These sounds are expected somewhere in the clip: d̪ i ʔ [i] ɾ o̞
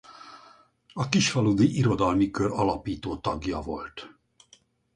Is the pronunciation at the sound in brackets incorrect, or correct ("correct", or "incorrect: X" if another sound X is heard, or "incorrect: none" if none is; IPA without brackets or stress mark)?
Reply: correct